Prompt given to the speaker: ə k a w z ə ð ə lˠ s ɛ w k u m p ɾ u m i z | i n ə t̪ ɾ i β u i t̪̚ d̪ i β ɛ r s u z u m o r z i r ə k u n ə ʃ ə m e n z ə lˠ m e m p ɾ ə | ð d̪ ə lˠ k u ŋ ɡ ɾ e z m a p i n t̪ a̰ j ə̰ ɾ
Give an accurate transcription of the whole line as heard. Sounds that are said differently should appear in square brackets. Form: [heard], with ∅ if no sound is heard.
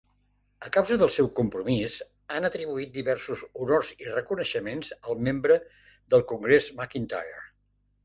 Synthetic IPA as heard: ə k a w z ə ð ə lˠ s ɛ w k u m p ɾ u m i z | [a] n ə t̪ ɾ i β u i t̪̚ d̪ i β ɛ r s u z u [n] o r z i r ə k u n ə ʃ ə m e n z ə lˠ m e m [b] ɾ ə | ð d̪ ə lˠ k u ŋ ɡ ɾ e z m a [k] i n t̪ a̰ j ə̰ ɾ